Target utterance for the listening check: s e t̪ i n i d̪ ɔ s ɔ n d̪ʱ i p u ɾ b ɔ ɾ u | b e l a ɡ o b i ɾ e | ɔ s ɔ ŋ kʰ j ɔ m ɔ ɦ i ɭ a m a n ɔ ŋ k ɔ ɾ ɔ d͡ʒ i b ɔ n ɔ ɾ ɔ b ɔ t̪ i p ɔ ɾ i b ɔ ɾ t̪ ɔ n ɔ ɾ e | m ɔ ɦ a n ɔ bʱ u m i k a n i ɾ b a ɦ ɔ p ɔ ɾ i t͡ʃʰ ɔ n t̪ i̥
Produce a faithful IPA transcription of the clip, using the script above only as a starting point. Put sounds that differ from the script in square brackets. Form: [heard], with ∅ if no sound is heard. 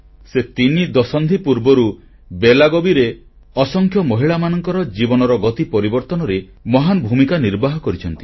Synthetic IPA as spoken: s e t̪ i n i d̪ ɔ s ɔ n d̪ʱ i p u ɾ b ɔ ɾ u | b e l a ɡ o b i ɾ e | ɔ s ɔ ŋ kʰ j ɔ m ɔ ɦ i ɭ a m a n ɔ ŋ k ɔ ɾ ɔ d͡ʒ i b ɔ n ɔ ɾ ɔ [ɡ] ɔ t̪ i p ɔ ɾ i b ɔ ɾ t̪ ɔ n ɔ ɾ e | m ɔ ɦ a n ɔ bʱ u m i k a n i ɾ b a ɦ ɔ [k] ɔ ɾ i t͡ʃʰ ɔ n t̪ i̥